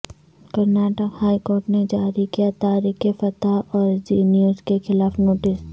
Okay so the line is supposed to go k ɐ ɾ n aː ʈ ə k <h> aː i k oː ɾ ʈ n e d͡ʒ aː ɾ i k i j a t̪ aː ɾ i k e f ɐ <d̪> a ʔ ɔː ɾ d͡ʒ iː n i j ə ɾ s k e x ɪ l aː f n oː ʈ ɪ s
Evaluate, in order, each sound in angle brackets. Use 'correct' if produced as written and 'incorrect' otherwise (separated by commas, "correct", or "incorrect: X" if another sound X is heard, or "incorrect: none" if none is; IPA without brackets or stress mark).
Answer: correct, incorrect: t̪